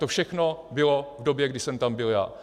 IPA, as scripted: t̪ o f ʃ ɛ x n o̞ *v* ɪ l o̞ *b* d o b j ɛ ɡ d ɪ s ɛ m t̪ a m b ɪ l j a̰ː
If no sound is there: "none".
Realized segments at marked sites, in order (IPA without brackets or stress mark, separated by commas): b, v